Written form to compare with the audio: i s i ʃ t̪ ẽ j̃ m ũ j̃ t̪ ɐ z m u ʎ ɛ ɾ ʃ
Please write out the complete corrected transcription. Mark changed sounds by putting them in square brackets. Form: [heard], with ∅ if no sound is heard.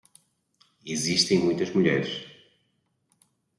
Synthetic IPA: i [z] i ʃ t̪ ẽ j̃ m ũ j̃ t̪ ɐ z m u ʎ ɛ ɾ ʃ